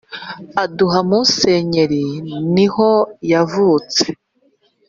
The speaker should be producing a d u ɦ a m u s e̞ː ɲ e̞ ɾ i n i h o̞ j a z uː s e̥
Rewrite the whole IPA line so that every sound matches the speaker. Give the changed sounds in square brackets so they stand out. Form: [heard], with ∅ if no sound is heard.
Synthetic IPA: a d u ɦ a m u s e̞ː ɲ e̞ ɾ i n i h o̞ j a [v] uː [t͡s] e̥